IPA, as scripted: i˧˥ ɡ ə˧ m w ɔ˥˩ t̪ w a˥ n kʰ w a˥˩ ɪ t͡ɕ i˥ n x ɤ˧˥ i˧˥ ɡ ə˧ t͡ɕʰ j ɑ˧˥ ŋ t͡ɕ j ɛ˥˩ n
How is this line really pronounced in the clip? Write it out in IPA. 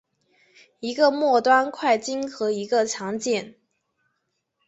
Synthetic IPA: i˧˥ ɡ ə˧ m w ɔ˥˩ t̪ w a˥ n kʰ w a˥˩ ɪ t͡ɕ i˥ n x ɤ˧˥ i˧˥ ɡ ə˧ t͡ɕʰ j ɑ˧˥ ŋ t͡ɕ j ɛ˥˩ n